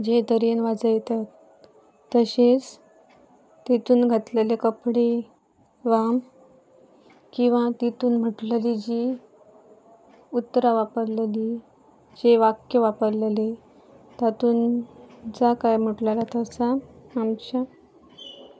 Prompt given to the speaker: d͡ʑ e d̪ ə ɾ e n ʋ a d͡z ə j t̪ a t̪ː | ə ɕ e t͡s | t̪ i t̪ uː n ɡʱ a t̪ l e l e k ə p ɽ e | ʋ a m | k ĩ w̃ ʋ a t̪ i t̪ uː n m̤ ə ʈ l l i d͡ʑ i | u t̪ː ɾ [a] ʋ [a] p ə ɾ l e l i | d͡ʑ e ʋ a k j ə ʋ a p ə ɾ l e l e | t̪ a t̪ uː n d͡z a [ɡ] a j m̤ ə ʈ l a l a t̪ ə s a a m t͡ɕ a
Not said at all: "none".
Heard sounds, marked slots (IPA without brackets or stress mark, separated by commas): a, a, k